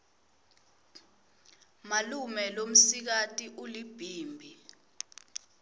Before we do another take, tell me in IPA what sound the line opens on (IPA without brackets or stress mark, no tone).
m